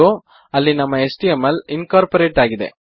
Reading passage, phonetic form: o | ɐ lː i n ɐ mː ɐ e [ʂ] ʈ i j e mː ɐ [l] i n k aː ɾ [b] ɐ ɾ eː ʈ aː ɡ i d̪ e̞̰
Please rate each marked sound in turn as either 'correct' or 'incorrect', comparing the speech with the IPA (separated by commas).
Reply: incorrect, correct, incorrect